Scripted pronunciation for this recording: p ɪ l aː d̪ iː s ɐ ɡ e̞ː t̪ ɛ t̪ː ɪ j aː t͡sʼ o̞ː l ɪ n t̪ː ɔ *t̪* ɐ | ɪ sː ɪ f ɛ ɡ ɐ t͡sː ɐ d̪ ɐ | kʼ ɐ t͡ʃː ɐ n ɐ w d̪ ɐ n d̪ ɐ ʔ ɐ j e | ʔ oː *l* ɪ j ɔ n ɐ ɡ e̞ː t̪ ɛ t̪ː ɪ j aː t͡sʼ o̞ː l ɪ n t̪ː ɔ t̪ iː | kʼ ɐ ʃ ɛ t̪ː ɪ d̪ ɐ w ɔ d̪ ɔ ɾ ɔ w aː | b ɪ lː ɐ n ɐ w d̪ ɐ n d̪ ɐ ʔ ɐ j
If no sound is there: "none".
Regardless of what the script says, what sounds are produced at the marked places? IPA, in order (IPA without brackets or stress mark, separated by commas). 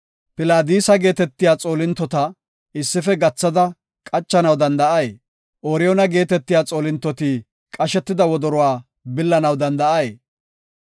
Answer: t̪, ɾ